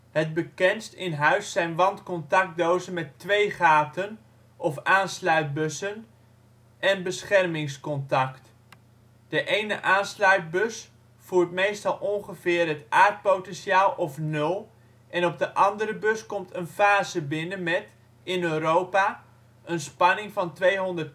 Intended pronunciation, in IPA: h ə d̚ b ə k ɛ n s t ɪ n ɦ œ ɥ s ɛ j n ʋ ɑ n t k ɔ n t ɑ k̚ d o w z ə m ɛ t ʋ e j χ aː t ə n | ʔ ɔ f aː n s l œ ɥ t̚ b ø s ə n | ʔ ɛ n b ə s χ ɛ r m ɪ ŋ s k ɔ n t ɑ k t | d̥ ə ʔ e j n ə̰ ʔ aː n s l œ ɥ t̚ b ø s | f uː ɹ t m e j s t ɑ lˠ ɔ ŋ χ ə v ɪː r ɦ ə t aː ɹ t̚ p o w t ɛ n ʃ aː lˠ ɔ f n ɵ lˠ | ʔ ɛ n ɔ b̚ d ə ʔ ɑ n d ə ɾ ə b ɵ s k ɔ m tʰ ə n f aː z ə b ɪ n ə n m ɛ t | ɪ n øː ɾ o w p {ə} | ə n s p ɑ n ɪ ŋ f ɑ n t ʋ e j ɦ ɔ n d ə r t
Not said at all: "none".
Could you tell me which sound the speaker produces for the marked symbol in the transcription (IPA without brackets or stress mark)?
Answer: a